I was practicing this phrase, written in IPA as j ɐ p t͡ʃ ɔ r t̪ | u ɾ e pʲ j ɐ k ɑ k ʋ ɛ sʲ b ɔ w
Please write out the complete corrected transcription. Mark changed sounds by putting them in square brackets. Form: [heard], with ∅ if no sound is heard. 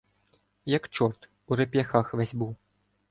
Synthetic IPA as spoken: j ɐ [k] t͡ʃ ɔ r t̪ | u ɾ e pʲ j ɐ [x] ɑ [x] ʋ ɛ [zʲ] b [u] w